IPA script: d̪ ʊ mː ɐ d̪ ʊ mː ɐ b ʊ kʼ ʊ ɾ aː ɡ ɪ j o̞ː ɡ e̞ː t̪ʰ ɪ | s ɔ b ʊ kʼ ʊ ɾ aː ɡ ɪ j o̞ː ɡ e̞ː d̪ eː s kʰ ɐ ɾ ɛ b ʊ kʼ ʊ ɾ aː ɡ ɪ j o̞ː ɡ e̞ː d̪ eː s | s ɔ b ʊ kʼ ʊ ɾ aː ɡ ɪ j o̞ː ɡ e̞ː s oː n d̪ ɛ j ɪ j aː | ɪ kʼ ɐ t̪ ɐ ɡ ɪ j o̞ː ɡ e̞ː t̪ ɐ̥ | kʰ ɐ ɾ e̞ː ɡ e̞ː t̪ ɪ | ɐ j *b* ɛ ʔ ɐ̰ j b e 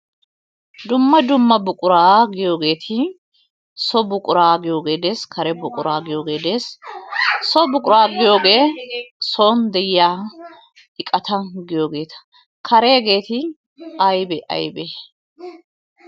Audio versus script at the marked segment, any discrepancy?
no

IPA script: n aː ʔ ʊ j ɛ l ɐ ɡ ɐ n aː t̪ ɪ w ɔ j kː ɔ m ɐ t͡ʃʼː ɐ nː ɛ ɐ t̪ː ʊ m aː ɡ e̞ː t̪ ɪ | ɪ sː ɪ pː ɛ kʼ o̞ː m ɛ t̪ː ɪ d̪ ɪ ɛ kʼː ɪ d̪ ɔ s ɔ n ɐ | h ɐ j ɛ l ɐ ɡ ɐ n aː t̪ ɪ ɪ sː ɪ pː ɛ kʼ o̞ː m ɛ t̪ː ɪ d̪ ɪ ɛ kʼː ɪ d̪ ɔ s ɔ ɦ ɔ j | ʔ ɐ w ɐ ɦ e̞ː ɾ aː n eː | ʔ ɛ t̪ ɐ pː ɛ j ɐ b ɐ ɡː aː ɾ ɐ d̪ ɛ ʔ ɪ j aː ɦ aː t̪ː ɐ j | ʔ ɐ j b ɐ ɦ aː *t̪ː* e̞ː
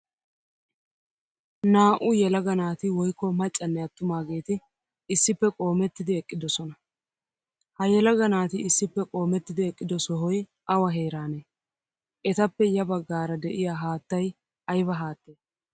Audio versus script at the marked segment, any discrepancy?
no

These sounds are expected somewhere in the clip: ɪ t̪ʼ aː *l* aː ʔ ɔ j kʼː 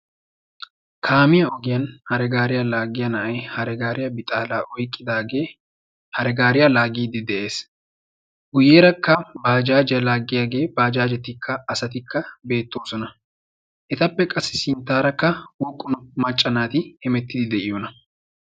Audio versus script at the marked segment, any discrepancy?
no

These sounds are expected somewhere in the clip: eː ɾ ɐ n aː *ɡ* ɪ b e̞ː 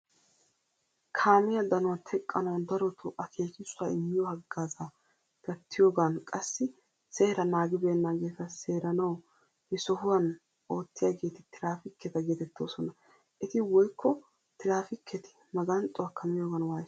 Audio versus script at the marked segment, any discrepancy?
no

